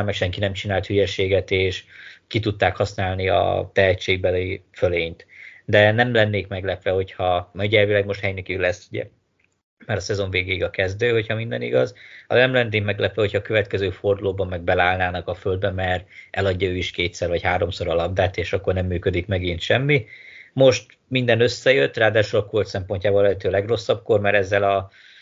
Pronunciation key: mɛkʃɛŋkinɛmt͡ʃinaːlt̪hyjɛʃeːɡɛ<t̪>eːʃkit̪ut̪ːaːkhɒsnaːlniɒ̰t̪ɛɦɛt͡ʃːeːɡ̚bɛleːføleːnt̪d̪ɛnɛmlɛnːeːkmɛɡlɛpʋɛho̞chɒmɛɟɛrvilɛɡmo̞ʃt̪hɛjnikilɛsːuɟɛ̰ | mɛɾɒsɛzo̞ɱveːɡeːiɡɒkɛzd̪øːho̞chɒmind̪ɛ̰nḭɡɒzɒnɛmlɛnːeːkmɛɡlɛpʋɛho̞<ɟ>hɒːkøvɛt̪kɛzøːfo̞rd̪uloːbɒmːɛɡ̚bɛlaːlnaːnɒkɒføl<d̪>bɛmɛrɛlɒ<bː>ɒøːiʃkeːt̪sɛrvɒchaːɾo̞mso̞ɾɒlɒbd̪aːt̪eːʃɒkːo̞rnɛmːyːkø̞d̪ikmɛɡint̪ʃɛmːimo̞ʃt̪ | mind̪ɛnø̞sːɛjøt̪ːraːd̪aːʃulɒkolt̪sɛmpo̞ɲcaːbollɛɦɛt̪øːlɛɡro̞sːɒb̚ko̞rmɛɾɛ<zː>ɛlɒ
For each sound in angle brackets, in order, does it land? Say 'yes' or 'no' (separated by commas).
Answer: yes, no, yes, no, yes